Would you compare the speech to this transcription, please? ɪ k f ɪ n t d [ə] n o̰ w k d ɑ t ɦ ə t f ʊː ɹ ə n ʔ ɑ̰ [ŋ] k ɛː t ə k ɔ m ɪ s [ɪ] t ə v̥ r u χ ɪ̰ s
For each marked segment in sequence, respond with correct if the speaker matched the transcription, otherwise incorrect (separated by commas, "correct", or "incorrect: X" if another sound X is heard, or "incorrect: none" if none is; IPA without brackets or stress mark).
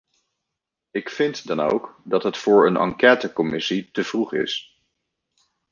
incorrect: ɑ, correct, incorrect: i